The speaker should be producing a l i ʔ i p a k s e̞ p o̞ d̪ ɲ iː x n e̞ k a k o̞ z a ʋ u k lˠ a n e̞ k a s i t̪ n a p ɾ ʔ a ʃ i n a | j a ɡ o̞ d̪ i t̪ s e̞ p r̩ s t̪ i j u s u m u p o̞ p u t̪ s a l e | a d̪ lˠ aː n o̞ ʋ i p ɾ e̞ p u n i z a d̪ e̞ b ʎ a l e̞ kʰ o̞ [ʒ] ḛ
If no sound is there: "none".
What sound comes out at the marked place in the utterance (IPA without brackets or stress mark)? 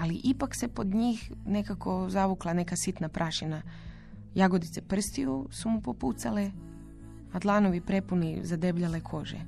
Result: ʒ